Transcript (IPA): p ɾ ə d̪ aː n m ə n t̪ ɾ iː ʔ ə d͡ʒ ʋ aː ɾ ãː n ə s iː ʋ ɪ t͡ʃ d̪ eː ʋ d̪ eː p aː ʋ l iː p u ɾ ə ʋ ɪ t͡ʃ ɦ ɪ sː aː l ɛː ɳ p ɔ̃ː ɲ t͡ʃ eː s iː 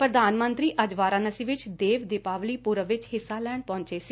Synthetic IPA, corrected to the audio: p ɾ ə d̪ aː n m ə n t̪ ɾ iː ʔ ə d͡ʒ ʋ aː ɾ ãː n ə s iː ʋ ɪ t͡ʃ d̪ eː ʋ d̪ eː p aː ʋ l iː p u ɾ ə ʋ ɪ t͡ʃ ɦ ɪ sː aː l ɛː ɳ p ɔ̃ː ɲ t͡ʃ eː s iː